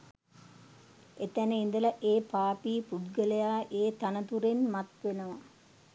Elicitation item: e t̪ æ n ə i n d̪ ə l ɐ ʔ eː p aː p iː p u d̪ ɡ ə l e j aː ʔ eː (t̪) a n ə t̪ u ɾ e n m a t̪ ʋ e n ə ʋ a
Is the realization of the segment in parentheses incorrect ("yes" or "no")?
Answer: no